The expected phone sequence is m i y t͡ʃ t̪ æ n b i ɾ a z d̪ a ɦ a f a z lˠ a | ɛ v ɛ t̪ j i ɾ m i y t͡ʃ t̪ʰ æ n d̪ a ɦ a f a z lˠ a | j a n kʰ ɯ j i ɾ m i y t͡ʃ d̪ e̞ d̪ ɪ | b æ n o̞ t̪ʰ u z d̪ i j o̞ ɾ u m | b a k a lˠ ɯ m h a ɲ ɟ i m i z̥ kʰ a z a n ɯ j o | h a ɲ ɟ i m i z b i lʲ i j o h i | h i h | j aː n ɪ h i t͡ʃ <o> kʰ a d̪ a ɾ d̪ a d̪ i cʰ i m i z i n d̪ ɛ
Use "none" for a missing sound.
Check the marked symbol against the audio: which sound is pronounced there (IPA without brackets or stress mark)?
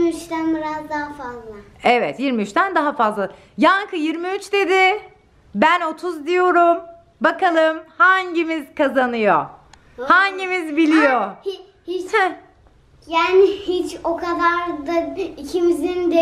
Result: o